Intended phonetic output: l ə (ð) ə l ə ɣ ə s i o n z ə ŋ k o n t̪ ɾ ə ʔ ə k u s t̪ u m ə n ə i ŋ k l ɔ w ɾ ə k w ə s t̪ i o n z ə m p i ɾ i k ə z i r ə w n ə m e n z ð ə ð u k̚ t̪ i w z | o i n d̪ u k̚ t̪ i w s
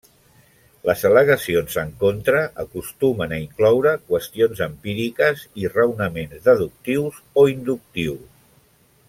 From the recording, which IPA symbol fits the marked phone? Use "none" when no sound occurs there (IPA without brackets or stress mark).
z